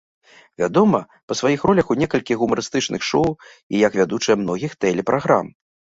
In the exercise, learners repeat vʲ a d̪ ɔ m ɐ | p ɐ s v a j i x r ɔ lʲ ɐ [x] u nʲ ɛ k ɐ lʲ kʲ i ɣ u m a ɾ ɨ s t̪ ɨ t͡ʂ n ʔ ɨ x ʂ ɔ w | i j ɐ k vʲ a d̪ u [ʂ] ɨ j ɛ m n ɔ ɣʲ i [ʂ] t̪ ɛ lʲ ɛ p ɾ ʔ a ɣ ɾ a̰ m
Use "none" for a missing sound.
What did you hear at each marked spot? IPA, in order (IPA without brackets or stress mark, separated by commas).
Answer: x, t͡ʂ, x